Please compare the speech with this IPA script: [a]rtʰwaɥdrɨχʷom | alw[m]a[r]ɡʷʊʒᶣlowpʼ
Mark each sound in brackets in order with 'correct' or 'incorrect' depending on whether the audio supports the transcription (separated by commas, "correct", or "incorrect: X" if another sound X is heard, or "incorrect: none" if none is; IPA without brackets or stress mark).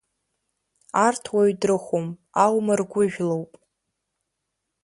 correct, correct, correct